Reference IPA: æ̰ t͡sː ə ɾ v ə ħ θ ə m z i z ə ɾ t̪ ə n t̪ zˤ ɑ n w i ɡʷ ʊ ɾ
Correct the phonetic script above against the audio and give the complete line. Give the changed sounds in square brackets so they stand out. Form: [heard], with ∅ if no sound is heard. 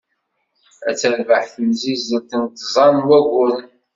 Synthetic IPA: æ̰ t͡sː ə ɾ v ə ħ θ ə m z i z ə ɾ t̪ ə n t̪ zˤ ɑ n w [æ] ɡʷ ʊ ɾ